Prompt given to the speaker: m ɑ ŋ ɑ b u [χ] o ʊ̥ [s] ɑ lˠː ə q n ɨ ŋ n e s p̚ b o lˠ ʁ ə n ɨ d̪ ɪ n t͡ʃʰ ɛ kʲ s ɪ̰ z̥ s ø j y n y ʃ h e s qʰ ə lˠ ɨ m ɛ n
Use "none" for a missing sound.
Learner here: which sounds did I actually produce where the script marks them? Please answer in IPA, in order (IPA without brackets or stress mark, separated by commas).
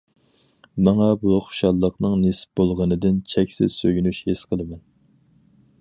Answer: χ, ʃ